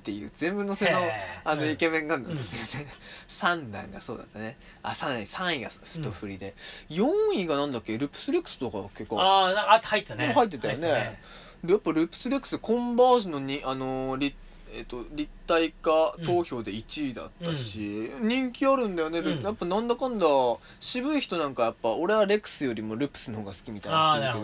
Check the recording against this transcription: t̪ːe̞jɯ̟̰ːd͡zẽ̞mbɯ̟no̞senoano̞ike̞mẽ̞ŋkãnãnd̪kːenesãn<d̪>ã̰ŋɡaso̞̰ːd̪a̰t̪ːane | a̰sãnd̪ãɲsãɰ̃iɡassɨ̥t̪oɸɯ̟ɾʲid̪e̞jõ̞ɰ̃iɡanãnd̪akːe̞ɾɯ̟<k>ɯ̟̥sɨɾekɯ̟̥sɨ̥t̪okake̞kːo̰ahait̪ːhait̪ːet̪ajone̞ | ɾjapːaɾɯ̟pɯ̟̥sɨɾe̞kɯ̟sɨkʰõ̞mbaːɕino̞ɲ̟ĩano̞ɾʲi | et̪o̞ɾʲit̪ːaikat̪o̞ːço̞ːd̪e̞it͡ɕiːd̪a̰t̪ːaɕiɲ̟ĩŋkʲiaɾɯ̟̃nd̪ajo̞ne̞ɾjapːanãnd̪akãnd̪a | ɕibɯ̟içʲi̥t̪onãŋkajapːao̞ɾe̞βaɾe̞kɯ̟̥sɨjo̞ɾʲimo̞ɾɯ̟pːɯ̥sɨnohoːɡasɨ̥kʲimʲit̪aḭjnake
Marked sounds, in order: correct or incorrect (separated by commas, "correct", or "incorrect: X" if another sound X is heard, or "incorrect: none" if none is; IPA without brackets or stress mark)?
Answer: correct, incorrect: p